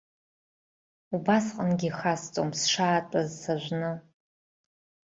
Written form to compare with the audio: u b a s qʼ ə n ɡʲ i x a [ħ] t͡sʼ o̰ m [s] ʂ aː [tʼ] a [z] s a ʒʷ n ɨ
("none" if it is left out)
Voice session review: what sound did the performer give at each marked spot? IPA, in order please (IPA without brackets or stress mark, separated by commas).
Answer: s, s, tʼ, z